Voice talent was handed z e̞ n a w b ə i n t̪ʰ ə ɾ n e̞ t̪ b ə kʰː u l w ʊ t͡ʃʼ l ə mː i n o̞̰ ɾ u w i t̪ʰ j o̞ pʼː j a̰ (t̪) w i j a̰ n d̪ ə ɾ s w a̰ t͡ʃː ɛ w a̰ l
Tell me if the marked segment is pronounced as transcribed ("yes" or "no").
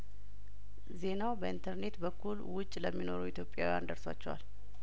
no